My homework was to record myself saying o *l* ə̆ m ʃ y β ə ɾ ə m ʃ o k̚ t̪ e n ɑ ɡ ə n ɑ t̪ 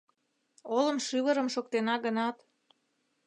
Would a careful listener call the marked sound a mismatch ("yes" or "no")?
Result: no